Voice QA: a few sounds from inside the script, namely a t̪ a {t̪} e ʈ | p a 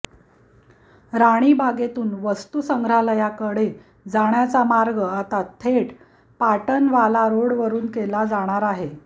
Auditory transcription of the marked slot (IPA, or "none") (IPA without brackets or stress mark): t̪ʰ